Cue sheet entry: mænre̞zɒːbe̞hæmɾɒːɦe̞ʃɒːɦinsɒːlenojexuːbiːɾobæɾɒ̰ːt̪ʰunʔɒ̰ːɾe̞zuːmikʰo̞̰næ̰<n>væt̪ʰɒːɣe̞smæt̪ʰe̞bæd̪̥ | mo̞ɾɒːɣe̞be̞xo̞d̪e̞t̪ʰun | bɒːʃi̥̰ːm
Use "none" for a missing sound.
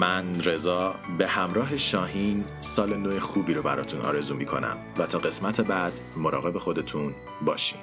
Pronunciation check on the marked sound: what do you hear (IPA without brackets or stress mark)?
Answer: m